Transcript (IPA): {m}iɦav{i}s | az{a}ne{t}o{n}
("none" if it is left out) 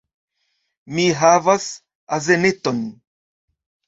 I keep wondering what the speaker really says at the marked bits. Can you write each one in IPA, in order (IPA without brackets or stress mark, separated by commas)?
m, a, e, t, n